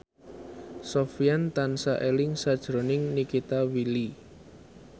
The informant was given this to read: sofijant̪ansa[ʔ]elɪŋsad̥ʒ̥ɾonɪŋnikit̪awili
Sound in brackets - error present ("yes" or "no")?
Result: no